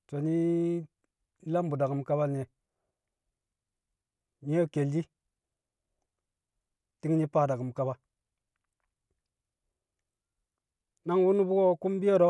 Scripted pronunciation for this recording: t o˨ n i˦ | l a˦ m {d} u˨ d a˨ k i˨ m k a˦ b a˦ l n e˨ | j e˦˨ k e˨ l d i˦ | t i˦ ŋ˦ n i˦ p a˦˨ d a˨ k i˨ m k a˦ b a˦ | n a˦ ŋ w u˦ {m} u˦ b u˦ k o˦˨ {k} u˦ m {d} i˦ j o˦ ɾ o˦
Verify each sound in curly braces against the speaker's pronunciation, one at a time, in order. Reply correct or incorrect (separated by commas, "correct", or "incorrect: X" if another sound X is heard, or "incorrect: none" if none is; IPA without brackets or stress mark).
incorrect: b, incorrect: n, correct, incorrect: b